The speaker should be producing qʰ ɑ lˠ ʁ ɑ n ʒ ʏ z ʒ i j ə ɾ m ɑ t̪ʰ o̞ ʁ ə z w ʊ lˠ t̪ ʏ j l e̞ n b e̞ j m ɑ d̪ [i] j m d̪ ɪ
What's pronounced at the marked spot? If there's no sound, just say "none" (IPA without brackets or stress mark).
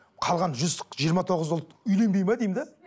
e